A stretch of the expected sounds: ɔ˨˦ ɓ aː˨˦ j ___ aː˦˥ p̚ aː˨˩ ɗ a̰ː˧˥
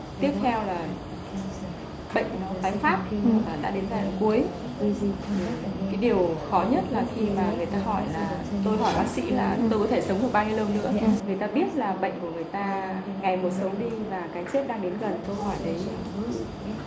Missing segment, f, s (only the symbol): f